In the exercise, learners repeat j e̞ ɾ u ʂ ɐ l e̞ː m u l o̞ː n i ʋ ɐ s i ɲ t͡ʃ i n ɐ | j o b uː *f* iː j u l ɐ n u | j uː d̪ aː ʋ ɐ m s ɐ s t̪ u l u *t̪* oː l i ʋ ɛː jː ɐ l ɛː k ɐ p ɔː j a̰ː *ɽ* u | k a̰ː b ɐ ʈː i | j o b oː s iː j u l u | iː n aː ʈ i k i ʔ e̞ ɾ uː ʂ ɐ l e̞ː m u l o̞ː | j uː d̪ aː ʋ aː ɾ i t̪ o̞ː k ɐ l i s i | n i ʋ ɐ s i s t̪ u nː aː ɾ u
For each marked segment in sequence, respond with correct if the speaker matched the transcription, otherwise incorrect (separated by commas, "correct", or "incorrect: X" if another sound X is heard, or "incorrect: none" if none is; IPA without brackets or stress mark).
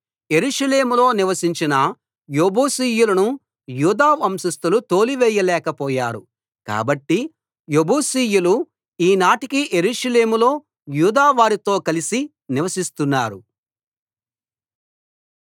incorrect: s, correct, incorrect: ɾ